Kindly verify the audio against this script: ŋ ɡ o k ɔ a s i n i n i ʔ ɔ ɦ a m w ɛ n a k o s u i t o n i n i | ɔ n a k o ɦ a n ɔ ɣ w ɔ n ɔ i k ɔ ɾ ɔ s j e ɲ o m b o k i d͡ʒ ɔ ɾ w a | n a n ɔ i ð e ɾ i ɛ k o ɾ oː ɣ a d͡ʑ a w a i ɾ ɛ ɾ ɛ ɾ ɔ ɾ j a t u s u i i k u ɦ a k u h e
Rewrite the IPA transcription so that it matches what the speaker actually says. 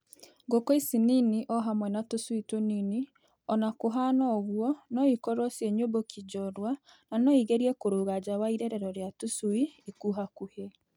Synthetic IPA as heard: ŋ ɡ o k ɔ i s i n i n i ʔ ɔ ɦ a m w ɛ n a t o s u i t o n i n i | ɔ n a k o ɦ a n ɔ ɣ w ɔ n ɔ i k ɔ ɾ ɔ s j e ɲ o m b o k i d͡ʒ ɔ ɾ w a | n a n ɔ i ɣ e ɾ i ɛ k o ɾ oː ɣ a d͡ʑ a w a i ɾ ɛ ɾ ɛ ɾ ɔ ɾ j a t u s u i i k u ɦ a k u h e